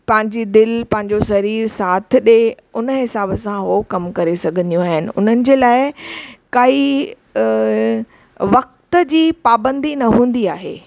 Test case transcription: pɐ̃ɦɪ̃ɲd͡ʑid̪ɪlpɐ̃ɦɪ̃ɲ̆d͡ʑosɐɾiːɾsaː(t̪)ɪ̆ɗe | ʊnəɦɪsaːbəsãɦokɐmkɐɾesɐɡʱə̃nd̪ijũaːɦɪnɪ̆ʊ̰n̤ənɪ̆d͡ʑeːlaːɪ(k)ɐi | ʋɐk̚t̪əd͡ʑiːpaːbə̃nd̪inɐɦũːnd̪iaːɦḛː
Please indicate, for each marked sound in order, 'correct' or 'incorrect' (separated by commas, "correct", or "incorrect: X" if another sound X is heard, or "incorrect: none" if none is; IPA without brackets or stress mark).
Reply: incorrect: t̪ʰ, correct